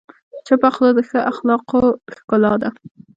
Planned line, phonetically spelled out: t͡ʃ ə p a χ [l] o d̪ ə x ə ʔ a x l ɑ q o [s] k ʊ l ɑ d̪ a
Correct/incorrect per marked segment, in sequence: correct, incorrect: x

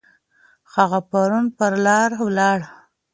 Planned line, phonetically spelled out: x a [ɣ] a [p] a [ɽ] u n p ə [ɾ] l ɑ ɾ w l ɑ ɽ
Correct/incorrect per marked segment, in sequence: correct, correct, incorrect: ɾ, correct

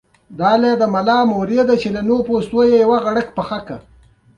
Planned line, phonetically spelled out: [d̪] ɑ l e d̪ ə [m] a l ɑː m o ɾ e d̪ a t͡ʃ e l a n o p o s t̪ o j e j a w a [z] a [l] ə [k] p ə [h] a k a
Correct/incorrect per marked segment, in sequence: correct, correct, incorrect: ɣ, incorrect: ɽ, correct, incorrect: x

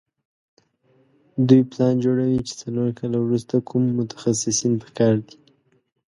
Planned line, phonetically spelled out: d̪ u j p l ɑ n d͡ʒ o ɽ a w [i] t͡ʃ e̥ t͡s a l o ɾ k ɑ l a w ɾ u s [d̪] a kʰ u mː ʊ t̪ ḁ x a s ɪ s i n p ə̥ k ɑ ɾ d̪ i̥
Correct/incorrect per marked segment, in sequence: correct, incorrect: t̪

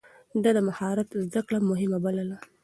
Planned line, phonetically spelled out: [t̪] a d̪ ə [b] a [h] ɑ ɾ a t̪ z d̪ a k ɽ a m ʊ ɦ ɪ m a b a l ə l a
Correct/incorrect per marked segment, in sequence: incorrect: d̪, incorrect: m, correct

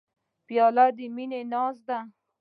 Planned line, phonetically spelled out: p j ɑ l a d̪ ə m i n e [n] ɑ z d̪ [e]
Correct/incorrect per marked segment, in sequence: correct, incorrect: a

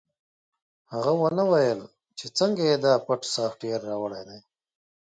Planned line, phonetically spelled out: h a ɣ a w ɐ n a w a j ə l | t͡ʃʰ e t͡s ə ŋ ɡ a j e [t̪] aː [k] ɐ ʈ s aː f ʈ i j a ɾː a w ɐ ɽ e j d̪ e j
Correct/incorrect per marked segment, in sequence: incorrect: d̪, incorrect: p

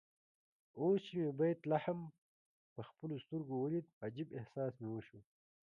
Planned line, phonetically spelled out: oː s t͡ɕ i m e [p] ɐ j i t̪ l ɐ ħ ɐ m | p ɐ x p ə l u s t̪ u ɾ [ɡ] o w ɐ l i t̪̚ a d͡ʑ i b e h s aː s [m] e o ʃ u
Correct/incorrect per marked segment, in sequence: incorrect: b, correct, correct

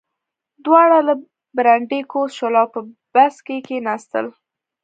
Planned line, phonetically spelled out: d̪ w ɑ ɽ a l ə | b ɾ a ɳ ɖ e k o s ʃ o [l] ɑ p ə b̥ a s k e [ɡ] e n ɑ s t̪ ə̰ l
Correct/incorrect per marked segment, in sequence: correct, incorrect: k

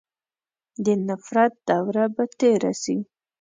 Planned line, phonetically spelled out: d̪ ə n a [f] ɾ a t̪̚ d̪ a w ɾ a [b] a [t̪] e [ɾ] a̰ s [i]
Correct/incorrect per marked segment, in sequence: correct, correct, correct, correct, correct

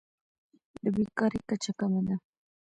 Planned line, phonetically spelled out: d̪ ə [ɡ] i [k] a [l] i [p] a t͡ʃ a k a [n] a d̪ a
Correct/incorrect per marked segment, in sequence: incorrect: b, correct, incorrect: ɾ, incorrect: k, incorrect: m

